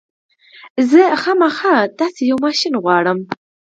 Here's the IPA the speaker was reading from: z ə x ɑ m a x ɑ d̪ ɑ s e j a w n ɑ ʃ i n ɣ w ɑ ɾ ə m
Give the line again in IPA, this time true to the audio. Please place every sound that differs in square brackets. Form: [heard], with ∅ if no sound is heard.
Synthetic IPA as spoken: z ə x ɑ m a x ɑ [t̪] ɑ s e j a w [m] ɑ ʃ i n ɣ w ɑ [ɽ] ə m